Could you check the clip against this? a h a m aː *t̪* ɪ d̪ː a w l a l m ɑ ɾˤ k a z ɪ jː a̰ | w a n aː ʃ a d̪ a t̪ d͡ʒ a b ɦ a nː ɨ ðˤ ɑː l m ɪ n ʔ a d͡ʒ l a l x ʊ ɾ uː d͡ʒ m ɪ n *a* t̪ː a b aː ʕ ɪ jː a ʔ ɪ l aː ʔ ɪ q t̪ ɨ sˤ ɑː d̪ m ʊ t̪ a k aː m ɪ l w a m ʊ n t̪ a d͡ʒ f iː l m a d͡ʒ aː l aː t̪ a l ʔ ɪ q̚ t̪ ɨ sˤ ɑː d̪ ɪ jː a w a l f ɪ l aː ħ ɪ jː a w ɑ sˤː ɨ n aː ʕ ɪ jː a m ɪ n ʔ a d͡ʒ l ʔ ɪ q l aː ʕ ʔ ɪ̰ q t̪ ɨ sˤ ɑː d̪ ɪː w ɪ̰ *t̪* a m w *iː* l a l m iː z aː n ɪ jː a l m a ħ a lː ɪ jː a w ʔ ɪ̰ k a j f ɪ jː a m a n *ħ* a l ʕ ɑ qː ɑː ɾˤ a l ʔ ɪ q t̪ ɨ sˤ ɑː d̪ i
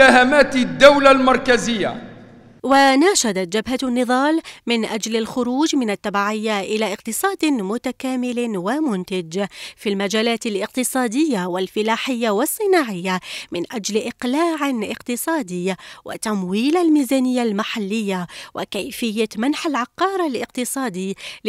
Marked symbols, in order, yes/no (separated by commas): yes, yes, yes, yes, yes